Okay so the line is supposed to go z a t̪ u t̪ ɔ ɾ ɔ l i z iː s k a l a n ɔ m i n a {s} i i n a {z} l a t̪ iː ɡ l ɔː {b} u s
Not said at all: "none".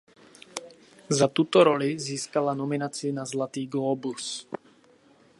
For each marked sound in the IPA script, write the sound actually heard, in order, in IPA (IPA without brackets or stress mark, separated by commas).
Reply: t͡s, z, b